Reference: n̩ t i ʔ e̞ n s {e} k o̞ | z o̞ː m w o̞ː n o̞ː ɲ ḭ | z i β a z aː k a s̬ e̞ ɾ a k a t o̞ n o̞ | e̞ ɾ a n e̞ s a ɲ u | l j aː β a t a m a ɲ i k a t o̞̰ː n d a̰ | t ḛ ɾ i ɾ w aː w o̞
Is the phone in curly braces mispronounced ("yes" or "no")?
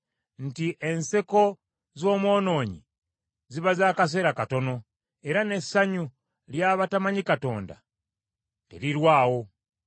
no